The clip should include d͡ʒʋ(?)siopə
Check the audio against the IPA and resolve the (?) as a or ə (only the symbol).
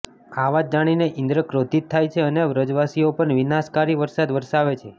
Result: a